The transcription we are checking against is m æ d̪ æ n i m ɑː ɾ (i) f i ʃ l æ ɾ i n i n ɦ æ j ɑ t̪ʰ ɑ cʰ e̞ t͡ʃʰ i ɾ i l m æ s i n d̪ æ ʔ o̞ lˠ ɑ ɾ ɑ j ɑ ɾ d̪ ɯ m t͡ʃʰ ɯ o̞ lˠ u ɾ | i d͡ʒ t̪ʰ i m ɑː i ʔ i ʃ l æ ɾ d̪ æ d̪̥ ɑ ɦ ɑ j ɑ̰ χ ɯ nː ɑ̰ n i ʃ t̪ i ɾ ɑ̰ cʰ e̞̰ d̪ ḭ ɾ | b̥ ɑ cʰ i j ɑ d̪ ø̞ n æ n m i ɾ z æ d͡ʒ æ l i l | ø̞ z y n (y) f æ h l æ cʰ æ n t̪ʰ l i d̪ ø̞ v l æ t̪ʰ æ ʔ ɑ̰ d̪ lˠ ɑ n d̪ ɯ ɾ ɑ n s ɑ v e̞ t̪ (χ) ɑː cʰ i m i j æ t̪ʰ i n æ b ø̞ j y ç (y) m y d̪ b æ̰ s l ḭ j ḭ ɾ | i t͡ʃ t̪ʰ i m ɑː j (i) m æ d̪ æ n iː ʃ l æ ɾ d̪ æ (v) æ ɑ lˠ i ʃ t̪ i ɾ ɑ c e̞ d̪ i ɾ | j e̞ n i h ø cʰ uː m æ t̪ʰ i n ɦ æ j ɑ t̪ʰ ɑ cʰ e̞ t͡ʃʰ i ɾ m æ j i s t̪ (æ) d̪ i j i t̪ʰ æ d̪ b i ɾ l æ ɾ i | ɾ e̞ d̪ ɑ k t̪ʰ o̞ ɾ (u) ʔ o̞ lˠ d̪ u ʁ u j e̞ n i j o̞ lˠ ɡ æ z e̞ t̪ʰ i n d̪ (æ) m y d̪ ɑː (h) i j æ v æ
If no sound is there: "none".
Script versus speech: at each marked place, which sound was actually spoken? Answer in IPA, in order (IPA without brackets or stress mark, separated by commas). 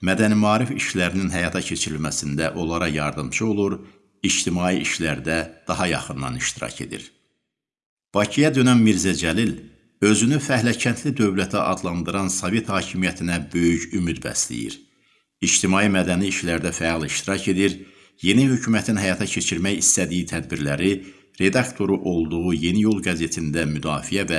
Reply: i, y, h, y, i, f, æ, u, æ, f